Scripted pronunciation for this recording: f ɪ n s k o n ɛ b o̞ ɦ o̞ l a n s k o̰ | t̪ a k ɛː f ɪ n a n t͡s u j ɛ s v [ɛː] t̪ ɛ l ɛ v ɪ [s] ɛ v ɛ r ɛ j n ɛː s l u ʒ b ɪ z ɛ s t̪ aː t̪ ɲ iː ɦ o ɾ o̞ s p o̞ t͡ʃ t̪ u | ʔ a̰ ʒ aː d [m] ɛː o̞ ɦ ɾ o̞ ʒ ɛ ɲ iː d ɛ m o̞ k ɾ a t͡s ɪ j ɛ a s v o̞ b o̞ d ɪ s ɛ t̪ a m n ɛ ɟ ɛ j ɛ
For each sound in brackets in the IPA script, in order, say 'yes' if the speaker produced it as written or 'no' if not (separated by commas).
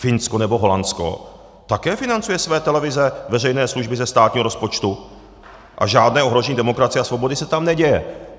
yes, no, no